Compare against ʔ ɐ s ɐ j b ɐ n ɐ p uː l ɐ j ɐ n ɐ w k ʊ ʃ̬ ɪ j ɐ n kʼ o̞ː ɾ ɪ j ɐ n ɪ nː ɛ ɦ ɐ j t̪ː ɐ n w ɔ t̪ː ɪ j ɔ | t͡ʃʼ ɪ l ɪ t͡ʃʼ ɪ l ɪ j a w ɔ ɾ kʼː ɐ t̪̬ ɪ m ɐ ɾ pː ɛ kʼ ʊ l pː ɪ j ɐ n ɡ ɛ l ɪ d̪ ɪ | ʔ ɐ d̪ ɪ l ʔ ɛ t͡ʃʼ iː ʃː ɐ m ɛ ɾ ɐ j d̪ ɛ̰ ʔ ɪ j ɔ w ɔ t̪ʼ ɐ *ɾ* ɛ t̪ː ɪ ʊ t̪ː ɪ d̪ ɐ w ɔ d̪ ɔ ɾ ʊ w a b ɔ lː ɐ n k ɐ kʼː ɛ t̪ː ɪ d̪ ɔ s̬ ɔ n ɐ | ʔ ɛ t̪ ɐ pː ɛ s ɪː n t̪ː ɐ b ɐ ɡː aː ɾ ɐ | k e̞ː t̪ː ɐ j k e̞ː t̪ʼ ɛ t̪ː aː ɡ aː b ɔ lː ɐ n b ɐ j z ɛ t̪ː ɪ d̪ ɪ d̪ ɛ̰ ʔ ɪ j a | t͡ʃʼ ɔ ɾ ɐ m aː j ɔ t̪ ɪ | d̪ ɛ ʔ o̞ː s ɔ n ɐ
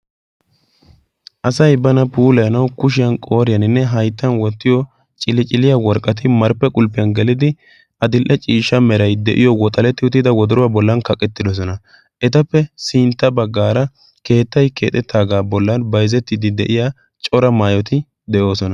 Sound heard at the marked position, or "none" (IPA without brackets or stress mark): l